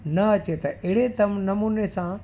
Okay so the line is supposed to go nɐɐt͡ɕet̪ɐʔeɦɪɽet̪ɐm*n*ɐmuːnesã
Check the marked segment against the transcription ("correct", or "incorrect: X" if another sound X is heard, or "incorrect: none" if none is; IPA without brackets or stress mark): correct